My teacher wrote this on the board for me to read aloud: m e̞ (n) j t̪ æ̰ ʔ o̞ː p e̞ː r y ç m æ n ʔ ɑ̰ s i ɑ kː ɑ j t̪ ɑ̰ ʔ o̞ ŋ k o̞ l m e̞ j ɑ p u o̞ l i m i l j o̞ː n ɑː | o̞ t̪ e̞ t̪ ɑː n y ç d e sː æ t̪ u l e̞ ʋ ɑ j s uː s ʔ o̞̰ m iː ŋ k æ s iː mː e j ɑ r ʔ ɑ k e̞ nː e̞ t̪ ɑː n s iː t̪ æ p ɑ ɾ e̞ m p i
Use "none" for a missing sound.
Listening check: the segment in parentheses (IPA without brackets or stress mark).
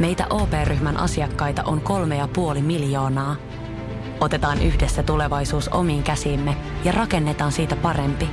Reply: none